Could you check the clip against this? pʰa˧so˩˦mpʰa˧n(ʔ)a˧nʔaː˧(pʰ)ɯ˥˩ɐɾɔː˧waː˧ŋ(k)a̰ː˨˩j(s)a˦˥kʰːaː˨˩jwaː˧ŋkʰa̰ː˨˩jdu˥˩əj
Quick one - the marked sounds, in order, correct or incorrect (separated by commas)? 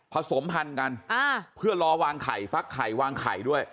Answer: incorrect, correct, incorrect, incorrect